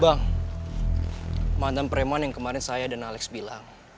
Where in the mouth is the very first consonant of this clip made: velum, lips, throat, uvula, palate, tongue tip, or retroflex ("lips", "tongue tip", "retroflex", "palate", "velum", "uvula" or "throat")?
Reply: lips